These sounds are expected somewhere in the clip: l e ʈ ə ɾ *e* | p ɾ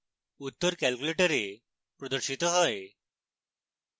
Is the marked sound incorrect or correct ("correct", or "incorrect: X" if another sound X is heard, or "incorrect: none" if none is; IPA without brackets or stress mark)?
correct